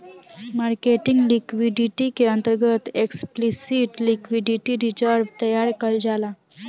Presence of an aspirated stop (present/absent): absent